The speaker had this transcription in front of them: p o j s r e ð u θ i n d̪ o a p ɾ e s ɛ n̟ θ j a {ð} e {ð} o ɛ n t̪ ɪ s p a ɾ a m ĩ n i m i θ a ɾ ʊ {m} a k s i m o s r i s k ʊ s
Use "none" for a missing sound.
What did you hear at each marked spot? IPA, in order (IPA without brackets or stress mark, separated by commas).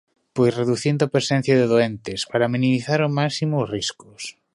ð, ð, m